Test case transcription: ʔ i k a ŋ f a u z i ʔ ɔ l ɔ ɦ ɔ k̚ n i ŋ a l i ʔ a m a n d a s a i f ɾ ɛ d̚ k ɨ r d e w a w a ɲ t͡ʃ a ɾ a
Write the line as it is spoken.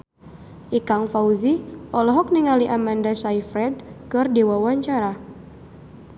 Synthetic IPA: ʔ i k a ŋ f a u z i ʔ ɔ l ɔ ɦ ɔ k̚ n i ŋ a l i ʔ a m a n d a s a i f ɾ ɛ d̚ k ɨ r d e w a w a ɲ t͡ʃ a ɾ a